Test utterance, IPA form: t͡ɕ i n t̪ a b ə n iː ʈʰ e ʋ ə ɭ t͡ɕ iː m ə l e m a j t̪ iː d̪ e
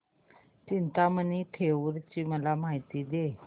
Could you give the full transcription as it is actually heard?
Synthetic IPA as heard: t͡ɕ i n t̪ a m ə n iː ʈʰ e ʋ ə ɾ t͡ɕ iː m ə l a m a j t̪ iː d̪ e